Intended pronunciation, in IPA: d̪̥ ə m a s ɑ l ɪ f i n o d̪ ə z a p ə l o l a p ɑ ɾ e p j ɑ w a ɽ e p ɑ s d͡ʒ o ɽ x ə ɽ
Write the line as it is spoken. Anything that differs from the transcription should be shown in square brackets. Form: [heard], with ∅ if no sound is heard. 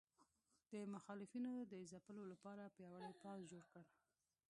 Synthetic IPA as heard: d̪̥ ə m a [x] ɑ l ɪ f i n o d̪ ə z a p ə l o l a p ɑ ɾ [a] p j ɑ w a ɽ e p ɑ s d͡ʒ o ɽ [k] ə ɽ